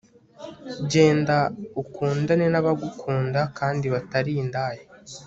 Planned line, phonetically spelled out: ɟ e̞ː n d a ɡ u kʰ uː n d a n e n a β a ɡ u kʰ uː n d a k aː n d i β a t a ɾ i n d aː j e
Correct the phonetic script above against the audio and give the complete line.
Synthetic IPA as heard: ɟ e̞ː n d a u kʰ uː n d a n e n a β a ɡ u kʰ uː n d a k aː n d i β a t a ɾ i n d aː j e